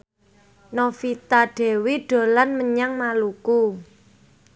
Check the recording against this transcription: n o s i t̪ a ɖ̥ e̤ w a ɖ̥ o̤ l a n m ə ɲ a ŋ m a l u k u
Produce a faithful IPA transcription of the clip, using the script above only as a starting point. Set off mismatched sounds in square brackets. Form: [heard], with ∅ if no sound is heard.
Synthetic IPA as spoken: n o [f] i t̪ a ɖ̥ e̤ w [i] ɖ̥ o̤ l a n m ə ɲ a ŋ m a l u k u